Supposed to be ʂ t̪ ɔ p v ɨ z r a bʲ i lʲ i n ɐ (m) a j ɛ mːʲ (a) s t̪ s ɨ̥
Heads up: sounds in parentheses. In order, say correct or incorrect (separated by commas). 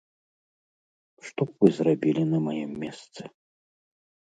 correct, incorrect